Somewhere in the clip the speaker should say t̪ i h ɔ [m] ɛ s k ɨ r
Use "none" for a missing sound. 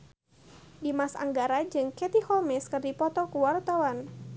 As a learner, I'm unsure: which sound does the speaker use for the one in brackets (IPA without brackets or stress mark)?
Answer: m